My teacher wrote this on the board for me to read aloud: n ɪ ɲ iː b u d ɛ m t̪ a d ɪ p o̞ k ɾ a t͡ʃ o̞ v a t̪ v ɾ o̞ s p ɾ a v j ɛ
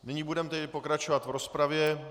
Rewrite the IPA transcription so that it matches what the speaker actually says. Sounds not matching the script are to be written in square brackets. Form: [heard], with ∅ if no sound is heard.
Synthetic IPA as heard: n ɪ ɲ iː b u d ɛ m t̪ [ɛ] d ɪ p o̞ k ɾ a t͡ʃ o̞ v a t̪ v ɾ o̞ s p ɾ a v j ɛ